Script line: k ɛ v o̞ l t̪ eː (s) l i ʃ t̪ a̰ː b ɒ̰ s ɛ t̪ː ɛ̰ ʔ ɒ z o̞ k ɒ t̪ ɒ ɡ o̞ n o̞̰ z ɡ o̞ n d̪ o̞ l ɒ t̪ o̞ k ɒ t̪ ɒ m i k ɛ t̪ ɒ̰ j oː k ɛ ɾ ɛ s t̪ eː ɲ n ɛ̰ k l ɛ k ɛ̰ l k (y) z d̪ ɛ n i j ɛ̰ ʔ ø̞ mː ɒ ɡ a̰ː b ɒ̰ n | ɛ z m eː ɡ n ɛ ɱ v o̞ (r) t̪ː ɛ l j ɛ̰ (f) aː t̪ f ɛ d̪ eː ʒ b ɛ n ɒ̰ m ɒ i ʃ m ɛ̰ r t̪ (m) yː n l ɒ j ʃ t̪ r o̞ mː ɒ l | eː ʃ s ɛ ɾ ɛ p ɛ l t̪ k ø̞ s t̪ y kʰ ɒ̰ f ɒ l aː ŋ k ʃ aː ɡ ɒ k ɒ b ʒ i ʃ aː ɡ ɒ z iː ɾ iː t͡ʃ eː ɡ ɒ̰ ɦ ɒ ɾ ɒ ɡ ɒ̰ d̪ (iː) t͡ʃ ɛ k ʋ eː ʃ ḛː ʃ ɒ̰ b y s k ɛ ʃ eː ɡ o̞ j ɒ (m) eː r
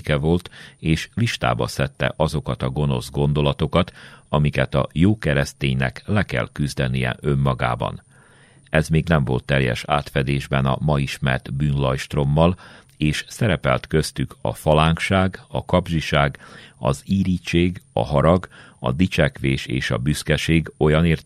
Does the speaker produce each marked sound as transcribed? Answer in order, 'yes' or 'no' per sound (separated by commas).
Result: no, yes, no, no, no, no, no